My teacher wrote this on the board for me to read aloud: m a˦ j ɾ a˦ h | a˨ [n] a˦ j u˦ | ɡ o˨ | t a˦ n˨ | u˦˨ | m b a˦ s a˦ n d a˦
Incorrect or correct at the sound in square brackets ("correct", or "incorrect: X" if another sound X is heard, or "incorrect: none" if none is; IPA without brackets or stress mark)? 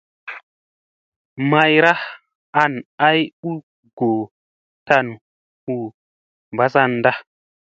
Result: correct